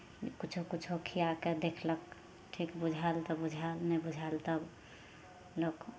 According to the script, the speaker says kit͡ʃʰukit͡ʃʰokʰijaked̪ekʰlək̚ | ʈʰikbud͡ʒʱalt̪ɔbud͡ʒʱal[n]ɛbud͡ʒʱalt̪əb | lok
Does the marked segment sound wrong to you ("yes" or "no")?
no